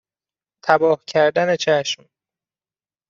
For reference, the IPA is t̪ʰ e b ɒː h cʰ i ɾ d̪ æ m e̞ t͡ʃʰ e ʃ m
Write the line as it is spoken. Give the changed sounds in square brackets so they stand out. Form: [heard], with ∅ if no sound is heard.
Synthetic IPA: t̪ʰ [æ] b ɒː h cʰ [æ] ɾ d̪ æ [n] e̞ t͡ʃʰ [æ] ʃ m